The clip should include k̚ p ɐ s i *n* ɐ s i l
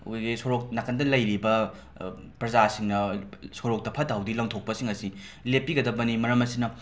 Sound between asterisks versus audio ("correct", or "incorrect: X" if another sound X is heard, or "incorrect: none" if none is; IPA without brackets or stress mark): incorrect: ŋ